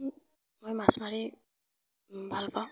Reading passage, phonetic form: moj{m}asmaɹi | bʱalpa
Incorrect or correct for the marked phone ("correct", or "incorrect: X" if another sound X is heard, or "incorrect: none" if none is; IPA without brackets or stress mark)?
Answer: correct